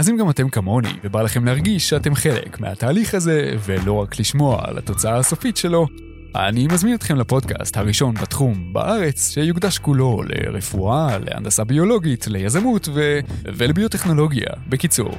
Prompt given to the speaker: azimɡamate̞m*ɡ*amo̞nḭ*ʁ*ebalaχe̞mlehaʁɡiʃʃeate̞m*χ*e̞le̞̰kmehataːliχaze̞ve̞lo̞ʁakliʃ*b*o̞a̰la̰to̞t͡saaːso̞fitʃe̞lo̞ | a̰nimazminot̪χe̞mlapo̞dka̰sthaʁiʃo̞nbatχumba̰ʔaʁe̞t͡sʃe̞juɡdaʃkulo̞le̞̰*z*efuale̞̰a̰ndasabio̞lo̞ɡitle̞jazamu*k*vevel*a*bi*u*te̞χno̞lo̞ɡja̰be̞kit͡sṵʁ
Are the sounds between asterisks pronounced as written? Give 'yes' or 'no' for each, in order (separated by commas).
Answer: no, no, yes, no, no, no, no, no